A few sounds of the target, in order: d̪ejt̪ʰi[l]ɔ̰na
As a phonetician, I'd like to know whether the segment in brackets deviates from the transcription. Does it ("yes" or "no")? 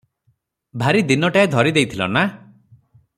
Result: no